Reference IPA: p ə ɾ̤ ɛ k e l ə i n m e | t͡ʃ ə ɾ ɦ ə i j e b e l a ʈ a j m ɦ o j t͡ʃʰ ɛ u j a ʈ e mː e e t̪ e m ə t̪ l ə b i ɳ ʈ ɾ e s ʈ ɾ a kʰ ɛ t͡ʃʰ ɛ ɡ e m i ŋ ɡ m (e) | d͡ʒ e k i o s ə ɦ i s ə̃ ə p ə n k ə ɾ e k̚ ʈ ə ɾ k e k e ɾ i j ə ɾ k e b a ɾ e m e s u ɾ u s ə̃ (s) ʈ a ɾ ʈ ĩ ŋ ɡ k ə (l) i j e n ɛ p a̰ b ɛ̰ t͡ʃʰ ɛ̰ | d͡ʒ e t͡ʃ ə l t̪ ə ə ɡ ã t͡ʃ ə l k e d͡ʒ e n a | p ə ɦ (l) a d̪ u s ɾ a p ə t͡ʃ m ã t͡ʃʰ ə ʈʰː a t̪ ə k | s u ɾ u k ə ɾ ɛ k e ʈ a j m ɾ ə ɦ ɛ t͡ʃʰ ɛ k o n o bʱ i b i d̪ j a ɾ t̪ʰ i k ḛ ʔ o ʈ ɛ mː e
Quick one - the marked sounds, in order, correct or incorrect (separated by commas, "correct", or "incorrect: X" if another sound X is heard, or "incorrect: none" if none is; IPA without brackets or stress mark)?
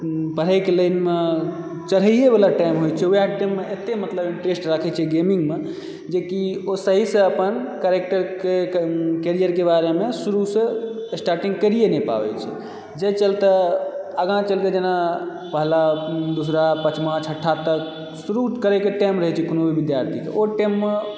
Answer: correct, correct, incorrect: ɾ, correct